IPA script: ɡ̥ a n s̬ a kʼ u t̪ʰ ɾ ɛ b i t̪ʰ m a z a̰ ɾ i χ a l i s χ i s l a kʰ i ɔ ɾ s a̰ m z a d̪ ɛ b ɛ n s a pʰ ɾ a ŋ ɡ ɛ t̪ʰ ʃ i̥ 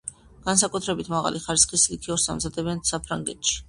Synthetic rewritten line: ɡ̥ a n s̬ a kʼ u t̪ʰ ɾ ɛ b i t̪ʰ m a ʁ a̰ l i χ a ɾ i s χ i s l i kʰ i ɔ ɾ s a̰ m z a d̪ ɛ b ɛ n s a pʰ ɾ a ŋ ɡ ɛ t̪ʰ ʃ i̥